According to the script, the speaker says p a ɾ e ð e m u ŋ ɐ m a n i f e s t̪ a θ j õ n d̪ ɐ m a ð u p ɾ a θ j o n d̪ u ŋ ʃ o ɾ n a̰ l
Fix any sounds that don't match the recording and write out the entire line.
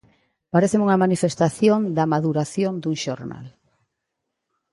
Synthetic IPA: p a ɾ e θ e m u ŋ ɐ m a n i f e s t̪ a θ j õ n d̪ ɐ m a ð u ɾ a θ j o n d̪ u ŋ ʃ o ɾ n a̰ l